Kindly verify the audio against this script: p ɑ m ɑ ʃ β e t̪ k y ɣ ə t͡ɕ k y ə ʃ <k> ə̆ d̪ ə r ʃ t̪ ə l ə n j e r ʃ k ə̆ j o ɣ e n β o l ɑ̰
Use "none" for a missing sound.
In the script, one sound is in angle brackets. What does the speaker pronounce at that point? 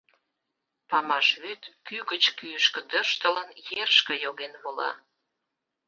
k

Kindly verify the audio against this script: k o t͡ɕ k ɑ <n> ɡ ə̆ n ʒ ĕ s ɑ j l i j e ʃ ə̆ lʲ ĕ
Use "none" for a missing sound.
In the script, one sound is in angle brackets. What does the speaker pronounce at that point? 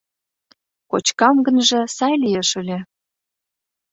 m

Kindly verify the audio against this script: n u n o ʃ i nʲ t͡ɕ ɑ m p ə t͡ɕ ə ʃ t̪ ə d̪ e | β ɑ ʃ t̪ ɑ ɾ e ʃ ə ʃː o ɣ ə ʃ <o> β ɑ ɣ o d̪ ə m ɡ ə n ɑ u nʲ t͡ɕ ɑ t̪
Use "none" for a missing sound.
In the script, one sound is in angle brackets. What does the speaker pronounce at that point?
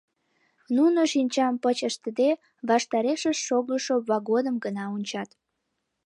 o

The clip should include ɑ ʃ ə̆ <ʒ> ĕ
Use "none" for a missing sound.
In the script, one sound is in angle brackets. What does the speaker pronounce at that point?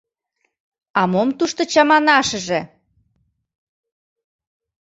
ʒ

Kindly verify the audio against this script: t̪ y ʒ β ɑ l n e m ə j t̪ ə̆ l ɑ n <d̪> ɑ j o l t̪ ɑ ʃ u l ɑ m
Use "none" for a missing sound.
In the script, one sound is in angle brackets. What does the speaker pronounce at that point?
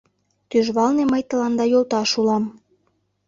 d̪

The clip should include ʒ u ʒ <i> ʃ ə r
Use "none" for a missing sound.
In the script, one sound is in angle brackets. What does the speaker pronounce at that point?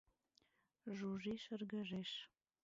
i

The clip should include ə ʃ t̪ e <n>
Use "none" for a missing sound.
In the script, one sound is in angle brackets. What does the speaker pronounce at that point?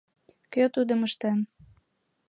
n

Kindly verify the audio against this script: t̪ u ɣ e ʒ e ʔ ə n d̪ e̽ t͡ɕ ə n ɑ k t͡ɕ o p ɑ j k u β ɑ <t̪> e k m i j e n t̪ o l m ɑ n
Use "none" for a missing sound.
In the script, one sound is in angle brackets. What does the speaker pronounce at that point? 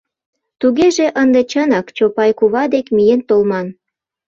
d̪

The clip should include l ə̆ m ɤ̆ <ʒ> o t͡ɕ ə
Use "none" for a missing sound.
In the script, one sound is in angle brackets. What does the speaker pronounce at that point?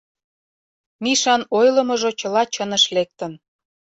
ʒ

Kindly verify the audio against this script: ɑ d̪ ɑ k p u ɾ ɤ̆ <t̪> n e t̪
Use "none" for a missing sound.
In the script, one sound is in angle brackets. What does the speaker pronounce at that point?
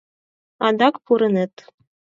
none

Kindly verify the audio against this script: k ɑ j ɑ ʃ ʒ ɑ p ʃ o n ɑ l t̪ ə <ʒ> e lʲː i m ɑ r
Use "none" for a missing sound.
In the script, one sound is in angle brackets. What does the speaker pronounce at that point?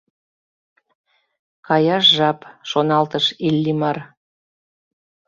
ʃ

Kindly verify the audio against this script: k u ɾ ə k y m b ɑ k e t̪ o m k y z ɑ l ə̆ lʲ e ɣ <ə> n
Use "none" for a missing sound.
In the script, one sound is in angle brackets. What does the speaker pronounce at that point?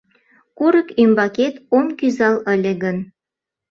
ə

